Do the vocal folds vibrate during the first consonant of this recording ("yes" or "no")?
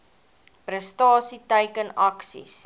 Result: no